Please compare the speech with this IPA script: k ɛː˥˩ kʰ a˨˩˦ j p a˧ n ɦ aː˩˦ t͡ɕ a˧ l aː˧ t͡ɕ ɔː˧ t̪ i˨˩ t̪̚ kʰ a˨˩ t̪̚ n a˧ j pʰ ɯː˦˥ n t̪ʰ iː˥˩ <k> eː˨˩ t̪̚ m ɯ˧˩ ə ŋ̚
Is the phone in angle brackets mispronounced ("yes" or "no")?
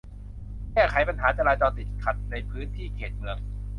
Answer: yes